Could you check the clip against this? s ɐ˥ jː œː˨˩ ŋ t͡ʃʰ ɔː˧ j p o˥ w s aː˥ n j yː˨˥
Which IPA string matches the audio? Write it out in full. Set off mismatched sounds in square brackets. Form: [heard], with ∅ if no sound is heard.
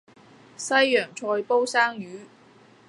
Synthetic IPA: s ɐ˥ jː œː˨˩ ŋ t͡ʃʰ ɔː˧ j p o˥ w s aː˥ [ŋ] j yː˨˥